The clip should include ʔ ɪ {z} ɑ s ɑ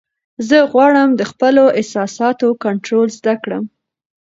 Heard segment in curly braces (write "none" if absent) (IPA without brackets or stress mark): s